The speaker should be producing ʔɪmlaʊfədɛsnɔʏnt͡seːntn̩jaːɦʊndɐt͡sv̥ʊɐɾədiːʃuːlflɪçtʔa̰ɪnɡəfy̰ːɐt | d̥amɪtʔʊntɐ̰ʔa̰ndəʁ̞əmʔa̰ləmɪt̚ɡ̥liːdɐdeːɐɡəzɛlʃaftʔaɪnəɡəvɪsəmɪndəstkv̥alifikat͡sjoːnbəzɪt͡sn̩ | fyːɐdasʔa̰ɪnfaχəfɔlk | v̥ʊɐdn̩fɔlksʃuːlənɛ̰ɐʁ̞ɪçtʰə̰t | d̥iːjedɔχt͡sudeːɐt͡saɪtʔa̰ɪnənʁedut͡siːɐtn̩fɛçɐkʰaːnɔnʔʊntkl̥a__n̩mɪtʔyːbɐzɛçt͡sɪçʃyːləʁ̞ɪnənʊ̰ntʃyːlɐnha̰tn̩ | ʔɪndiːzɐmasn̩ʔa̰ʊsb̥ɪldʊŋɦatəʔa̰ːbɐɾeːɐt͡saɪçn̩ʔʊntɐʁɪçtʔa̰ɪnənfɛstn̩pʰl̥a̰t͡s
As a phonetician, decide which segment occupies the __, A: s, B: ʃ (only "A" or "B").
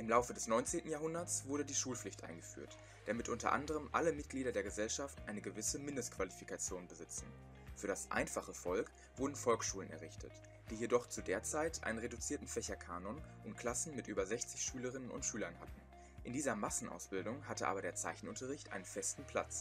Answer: A